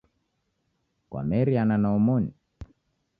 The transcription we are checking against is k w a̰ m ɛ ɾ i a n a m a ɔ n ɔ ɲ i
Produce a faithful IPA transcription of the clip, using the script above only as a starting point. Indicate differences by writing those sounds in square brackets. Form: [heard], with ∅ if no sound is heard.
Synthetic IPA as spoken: k w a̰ m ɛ ɾ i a n a [n] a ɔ [m] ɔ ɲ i